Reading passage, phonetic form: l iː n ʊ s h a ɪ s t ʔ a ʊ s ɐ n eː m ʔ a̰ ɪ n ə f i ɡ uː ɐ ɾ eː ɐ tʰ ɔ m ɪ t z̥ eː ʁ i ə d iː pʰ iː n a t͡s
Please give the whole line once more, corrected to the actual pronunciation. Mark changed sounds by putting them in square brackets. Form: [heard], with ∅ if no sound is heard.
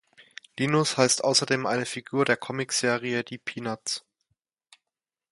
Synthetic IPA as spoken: l iː n ʊ s h a ɪ s t ʔ a ʊ s ɐ [d] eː m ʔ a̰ ɪ n ə f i ɡ uː ɐ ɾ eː ɐ [kʰ] ɔ m ɪ [k] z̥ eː ʁ i ə d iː pʰ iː n a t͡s

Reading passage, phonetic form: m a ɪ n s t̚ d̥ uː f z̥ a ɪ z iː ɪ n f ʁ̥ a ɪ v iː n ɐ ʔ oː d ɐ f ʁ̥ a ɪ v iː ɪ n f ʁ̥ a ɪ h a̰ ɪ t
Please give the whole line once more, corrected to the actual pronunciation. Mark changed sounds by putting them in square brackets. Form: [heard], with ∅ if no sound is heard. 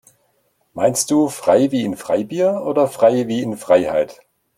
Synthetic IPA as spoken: m a ɪ n s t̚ d̥ uː f [ʁ̥] a ɪ [v] iː ɪ n f ʁ̥ a ɪ [b] iː [∅] ɐ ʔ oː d ɐ f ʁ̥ a ɪ v iː ɪ n f ʁ̥ a ɪ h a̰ ɪ t

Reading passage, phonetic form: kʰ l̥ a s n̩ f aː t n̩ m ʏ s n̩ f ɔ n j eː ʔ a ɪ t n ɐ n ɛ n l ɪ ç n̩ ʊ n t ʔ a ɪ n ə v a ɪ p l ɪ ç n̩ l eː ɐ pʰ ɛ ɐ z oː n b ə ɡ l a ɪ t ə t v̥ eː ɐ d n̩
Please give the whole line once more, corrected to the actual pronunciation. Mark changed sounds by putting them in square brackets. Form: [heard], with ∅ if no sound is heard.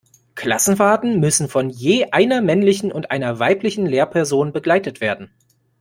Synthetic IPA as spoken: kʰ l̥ a s n̩ f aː t n̩ m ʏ s n̩ f ɔ n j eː ʔ a ɪ [∅] n ɐ [m] ɛ n l ɪ ç n̩ ʊ n t ʔ a ɪ n [ɐ] v a ɪ p l ɪ ç n̩ l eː ɐ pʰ ɛ ɐ z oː n b ə ɡ l a ɪ t ə t v̥ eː ɐ d n̩

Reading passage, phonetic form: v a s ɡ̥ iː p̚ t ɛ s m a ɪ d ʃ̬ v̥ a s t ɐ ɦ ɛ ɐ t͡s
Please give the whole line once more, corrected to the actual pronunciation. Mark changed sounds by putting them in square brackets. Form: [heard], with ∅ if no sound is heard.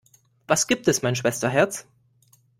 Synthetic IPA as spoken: v a s ɡ̥ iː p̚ t ɛ s m a ɪ [n] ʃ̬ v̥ [ɛ] s t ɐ ɦ ɛ ɐ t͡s

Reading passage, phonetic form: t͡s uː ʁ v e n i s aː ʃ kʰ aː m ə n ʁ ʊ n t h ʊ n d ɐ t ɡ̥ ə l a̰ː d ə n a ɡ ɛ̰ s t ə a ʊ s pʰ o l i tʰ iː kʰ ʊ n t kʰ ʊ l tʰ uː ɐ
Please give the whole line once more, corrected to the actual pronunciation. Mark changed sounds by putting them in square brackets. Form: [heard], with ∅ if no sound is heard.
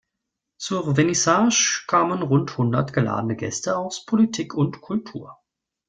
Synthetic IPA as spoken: t͡s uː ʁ v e n i s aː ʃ kʰ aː m ə n ʁ ʊ n t h ʊ n d ɐ t ɡ̥ ə l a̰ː d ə n [ə] ɡ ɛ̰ s t ə a ʊ s pʰ o l i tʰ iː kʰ ʊ n t kʰ ʊ l tʰ uː ɐ

